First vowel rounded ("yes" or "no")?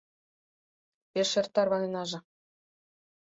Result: no